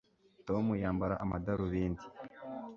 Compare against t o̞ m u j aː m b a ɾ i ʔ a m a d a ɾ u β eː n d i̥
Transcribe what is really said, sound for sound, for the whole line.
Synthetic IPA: t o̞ m u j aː m b a ɾ a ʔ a m a d a ɾ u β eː n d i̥